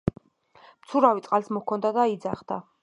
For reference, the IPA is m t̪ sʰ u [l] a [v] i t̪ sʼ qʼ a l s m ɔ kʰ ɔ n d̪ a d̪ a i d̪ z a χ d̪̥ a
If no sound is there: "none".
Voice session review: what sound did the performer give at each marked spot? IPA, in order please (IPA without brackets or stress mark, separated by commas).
ɾ, v